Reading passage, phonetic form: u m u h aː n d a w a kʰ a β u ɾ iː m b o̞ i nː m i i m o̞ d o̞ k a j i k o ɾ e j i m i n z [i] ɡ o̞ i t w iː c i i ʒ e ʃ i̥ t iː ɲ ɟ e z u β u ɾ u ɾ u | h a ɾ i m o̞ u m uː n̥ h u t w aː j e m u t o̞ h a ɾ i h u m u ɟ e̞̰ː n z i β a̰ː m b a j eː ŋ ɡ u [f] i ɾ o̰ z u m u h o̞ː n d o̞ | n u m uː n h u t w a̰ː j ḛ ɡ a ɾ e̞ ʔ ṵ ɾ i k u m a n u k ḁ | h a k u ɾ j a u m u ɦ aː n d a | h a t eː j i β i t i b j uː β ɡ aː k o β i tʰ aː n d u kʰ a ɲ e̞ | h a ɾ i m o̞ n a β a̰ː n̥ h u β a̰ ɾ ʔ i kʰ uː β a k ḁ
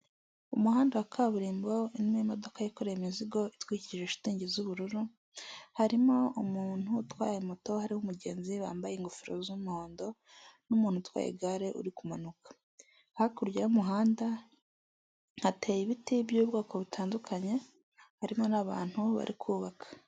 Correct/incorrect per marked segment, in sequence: correct, correct

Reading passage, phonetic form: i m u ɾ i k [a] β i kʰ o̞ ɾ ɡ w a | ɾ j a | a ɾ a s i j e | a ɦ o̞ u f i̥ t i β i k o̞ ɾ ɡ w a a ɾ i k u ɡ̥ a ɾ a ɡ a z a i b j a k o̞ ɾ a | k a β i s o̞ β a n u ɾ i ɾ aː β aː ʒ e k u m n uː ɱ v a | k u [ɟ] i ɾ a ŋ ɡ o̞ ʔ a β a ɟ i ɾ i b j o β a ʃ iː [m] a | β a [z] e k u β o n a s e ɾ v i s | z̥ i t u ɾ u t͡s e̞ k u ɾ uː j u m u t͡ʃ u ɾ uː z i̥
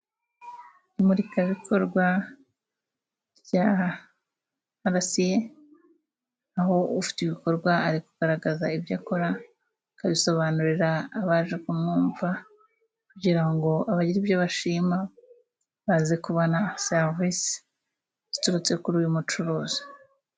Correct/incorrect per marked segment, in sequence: correct, correct, correct, correct

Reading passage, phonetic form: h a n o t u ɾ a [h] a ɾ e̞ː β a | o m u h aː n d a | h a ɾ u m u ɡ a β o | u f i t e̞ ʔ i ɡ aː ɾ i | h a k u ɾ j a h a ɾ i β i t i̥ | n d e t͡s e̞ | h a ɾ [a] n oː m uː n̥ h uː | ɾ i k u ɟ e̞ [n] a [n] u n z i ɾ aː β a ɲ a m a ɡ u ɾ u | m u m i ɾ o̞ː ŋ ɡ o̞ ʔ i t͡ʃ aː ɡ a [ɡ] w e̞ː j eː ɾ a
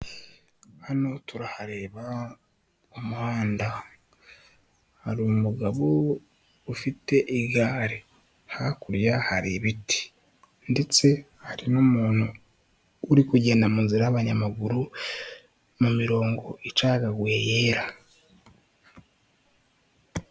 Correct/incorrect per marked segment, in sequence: correct, incorrect, correct, incorrect, correct

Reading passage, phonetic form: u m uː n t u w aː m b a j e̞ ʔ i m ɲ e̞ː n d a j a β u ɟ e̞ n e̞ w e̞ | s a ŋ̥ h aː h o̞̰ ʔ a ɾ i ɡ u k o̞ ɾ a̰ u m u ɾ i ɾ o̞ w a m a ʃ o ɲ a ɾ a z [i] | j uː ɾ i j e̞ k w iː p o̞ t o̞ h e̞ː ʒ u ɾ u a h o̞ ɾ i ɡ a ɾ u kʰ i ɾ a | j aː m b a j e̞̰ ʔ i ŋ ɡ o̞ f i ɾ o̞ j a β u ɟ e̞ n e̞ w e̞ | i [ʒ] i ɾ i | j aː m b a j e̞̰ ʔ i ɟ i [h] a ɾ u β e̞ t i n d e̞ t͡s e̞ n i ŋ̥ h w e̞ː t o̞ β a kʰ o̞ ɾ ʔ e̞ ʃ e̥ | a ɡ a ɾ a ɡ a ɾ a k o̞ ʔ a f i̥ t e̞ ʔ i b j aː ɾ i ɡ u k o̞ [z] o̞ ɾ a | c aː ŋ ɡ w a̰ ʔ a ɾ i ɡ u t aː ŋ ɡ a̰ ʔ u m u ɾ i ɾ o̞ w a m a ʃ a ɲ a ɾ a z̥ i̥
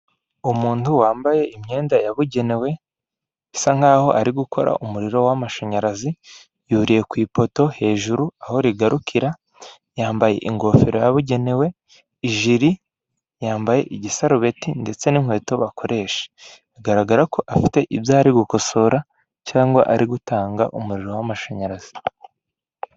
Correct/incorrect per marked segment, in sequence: correct, correct, incorrect, incorrect

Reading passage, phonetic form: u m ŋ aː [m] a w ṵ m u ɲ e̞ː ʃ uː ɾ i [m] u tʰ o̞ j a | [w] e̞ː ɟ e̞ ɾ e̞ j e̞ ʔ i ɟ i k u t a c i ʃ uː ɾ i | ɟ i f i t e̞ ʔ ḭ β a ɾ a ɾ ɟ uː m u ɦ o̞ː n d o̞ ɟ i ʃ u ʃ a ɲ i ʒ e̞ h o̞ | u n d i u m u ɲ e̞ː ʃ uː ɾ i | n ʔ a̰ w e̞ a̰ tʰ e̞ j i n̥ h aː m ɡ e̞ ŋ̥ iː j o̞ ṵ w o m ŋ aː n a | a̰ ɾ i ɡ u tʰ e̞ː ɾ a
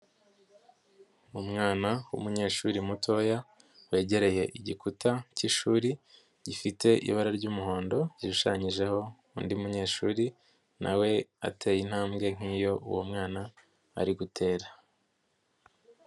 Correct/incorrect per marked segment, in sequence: incorrect, correct, correct

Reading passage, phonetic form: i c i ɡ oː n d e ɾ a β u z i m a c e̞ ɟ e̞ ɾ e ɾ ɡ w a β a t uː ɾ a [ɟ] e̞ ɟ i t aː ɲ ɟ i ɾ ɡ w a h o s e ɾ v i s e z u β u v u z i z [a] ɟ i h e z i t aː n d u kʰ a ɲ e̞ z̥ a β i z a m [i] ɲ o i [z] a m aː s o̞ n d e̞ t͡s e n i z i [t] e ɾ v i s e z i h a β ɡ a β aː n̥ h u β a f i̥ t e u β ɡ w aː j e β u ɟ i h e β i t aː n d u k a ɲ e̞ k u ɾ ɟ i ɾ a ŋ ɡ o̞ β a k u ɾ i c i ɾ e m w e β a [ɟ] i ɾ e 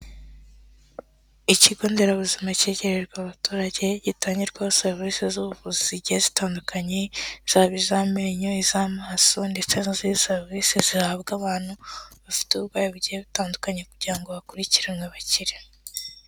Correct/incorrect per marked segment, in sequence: correct, incorrect, incorrect, correct, incorrect, incorrect

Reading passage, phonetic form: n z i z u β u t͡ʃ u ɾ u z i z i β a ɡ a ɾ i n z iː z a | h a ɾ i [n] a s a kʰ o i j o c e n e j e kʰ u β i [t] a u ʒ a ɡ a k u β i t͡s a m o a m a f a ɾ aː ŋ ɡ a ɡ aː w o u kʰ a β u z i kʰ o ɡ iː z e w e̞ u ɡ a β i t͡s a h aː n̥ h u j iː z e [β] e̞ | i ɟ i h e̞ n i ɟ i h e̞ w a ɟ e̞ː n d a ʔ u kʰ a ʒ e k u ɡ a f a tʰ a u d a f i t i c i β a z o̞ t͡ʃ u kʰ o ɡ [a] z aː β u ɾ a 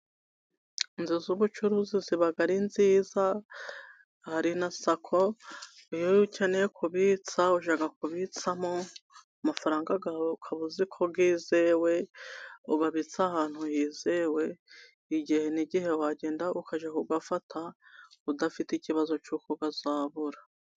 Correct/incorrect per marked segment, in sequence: correct, incorrect, incorrect, correct

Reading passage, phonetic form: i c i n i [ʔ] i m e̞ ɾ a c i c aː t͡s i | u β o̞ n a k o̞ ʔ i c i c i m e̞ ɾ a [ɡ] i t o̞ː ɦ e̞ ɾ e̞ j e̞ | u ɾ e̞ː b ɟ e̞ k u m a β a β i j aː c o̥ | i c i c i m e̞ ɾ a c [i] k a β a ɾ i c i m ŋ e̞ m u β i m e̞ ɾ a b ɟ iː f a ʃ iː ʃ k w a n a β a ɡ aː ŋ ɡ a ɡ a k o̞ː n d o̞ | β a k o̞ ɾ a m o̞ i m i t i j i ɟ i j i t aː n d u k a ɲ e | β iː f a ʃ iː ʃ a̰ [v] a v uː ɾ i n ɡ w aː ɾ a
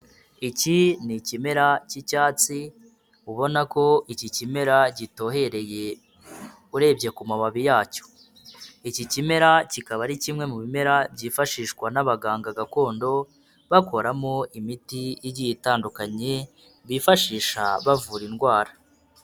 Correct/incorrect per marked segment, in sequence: incorrect, incorrect, correct, incorrect

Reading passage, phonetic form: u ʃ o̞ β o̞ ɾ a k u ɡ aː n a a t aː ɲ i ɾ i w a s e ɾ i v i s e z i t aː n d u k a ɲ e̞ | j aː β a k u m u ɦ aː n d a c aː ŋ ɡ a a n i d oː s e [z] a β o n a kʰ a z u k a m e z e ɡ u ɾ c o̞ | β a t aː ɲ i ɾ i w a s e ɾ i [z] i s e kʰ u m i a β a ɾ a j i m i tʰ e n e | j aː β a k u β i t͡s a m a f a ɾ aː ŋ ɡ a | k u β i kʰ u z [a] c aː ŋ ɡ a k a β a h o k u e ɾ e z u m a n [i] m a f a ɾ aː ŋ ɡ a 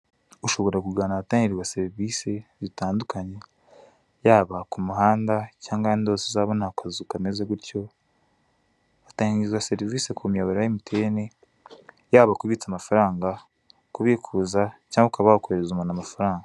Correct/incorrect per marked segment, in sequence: correct, incorrect, correct, incorrect

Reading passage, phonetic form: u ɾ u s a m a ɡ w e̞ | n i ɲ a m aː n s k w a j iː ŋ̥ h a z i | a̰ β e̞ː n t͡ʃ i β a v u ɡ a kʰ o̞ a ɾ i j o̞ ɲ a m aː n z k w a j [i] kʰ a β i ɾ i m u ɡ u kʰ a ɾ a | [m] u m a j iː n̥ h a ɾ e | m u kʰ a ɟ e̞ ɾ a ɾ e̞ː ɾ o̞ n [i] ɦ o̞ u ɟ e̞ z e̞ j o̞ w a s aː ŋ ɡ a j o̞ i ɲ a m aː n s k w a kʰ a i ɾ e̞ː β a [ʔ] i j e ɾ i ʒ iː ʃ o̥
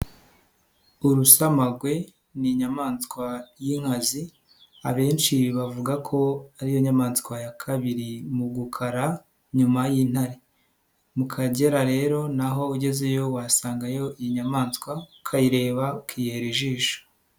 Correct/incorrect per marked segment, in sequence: incorrect, incorrect, incorrect, incorrect

